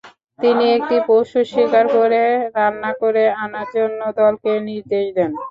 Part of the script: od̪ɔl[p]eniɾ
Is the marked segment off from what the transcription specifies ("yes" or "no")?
yes